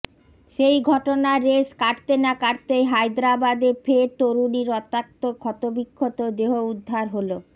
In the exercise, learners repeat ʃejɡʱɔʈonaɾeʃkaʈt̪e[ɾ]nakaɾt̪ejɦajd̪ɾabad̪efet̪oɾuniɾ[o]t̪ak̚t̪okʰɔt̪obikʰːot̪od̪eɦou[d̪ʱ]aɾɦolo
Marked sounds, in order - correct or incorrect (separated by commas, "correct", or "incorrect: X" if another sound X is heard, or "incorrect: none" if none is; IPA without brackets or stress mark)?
incorrect: none, incorrect: ɔ, incorrect: d̪ʱː